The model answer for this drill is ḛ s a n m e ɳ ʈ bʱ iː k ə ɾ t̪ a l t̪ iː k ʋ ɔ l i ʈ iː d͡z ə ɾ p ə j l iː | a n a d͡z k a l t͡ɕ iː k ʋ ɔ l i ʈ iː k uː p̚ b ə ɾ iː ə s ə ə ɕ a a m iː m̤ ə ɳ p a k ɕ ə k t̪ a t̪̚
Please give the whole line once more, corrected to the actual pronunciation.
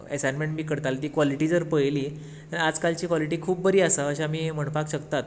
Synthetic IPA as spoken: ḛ s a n m e ɳ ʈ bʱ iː k ə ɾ t̪ a l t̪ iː k ʋ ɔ l i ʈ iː d͡z ə ɾ p ə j l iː | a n a d͡z k a l t͡ɕ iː k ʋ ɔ l i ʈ iː kʰ uː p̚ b ə ɾ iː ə s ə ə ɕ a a m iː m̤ ə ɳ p a k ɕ ə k t̪ a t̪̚